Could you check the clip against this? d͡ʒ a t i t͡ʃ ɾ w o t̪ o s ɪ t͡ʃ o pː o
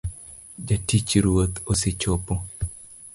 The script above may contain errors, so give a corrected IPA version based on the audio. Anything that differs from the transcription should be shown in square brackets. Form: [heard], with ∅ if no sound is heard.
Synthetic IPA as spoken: d͡ʒ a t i t͡ʃ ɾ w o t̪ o s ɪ t͡ʃ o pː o